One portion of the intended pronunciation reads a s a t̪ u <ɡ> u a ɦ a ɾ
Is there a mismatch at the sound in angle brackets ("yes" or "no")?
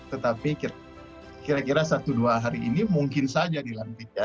yes